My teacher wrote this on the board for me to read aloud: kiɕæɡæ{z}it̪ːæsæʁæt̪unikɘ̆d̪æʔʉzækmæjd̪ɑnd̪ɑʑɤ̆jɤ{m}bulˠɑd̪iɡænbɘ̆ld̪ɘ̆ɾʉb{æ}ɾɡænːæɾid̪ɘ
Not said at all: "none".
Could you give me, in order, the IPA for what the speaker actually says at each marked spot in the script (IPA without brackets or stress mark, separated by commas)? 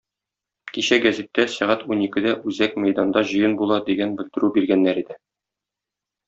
z, n, i